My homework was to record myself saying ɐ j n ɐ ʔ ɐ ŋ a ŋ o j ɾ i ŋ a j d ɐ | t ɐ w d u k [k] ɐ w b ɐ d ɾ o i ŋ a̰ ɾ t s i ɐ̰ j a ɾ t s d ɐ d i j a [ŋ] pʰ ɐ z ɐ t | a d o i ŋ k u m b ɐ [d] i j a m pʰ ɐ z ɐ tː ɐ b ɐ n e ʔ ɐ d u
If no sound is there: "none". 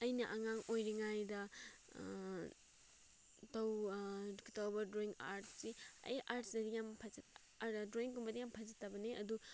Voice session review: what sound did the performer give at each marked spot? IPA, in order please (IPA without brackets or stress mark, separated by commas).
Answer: t, m, d